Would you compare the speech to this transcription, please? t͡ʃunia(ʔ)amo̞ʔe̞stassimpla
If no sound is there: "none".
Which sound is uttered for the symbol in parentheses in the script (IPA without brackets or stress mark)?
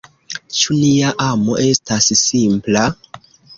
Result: ʔ